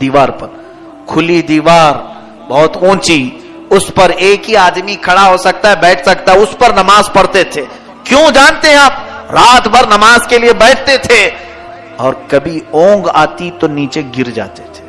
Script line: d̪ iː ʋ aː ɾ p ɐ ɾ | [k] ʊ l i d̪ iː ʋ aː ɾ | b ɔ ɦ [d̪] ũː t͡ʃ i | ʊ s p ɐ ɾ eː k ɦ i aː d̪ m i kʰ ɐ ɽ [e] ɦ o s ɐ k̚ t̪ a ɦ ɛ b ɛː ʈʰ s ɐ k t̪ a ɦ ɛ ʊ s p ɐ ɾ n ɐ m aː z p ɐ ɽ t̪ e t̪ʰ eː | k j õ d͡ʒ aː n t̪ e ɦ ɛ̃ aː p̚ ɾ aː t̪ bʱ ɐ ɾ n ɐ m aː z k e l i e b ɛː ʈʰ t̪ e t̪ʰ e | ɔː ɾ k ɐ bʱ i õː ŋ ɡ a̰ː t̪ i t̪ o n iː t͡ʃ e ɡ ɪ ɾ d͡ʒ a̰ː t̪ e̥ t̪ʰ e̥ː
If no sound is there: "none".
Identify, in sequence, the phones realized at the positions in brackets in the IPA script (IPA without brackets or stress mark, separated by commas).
kʰ, t̪, a